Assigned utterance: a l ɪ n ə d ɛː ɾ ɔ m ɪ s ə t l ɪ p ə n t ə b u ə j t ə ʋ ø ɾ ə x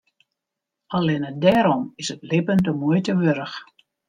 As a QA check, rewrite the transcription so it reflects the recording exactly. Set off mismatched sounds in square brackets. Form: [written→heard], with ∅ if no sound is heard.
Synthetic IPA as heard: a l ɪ n ə d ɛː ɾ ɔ m ɪ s ə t l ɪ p ə n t ə [b→m] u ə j t ə ʋ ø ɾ ə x